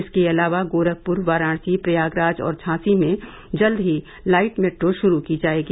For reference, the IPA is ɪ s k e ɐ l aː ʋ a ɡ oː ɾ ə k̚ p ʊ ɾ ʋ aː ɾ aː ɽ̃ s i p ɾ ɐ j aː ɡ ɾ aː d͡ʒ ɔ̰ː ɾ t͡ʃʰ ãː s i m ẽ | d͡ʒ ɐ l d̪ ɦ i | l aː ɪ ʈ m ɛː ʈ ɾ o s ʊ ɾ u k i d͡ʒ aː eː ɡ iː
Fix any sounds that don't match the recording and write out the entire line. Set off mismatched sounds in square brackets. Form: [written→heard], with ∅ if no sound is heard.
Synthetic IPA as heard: ɪ s k e ɐ l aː ʋ a ɡ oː ɾ ə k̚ p ʊ ɾ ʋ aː ɾ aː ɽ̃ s i p ɾ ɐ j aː ɡ ɾ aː d͡ʒ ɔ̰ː ɾ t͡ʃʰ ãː s i m ẽ | d͡ʒ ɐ l d̪ ɦ i | l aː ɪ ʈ m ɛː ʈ ɾ o [s→ʃ] ʊ ɾ u k i d͡ʒ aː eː ɡ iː